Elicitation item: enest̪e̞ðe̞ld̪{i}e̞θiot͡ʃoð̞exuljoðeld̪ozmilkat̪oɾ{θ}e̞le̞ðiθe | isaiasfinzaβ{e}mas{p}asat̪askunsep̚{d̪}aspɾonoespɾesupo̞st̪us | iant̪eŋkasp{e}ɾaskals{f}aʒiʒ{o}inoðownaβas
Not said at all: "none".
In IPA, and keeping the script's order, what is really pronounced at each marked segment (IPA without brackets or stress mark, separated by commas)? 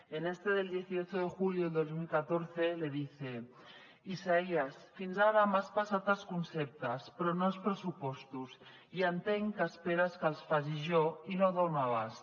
j, θ, a, p, t̪, e, f, o